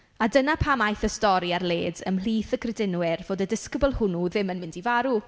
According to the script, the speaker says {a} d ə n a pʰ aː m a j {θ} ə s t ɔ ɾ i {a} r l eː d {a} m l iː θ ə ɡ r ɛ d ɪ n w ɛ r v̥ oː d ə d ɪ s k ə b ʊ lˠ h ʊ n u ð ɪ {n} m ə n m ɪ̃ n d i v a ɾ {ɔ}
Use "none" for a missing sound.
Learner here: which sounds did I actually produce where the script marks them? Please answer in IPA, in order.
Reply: a, θ, a, ə, none, u

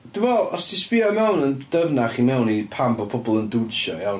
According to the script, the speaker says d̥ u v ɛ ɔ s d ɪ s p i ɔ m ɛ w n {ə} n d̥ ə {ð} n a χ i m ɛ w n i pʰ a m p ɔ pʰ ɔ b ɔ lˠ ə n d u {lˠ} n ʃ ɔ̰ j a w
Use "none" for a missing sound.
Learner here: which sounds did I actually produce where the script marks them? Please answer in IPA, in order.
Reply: ə, v, none

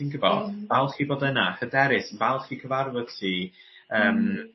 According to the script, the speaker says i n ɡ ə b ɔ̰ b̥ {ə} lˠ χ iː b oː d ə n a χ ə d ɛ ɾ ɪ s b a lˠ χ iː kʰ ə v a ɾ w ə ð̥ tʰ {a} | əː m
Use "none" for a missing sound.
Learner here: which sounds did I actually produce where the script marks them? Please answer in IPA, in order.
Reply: a, i

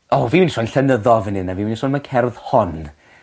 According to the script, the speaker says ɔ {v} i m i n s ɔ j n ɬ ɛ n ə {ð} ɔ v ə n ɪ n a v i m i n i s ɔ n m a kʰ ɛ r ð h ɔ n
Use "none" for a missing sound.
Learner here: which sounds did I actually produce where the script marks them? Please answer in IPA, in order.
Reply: v, ð

